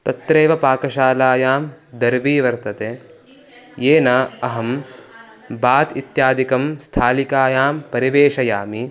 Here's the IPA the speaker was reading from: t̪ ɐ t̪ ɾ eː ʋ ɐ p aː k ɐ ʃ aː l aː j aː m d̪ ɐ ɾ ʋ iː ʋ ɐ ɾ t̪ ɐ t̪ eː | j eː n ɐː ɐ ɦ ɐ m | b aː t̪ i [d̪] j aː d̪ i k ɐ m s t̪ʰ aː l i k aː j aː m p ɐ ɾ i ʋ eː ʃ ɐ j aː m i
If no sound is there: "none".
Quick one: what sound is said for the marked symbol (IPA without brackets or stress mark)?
t̪